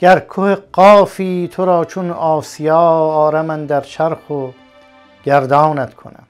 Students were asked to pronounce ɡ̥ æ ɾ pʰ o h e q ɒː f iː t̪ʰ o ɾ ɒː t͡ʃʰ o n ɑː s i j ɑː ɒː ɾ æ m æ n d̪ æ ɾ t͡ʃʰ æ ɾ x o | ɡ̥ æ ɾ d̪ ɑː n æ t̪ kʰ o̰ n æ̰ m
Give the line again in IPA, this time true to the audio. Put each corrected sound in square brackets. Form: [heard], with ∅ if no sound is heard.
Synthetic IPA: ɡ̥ æ ɾ [kʰ] o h e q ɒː f iː t̪ʰ o ɾ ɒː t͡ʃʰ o n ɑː s i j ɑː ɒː ɾ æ m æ n d̪ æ ɾ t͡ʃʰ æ ɾ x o | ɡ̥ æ ɾ d̪ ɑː n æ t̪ kʰ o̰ n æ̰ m